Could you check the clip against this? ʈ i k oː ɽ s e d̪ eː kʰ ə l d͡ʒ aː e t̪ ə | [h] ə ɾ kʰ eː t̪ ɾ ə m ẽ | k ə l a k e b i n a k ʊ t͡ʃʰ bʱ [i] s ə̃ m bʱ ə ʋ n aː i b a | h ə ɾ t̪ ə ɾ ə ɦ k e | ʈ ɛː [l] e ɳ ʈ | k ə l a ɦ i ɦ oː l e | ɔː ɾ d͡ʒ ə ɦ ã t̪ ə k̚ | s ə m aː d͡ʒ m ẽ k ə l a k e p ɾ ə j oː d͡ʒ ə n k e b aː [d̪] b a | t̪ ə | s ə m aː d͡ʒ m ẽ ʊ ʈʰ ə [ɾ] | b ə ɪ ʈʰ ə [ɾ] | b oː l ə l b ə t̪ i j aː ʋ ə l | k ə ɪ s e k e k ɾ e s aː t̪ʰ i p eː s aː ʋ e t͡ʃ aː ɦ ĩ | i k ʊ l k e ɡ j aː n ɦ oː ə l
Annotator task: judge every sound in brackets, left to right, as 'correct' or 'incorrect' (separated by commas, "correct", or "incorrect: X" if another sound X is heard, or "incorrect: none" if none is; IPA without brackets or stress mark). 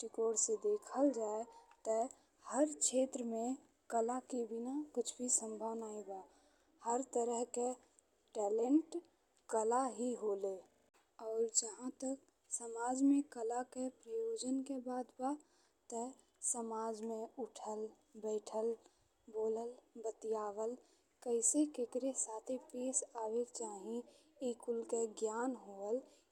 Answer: correct, correct, correct, correct, incorrect: l, incorrect: l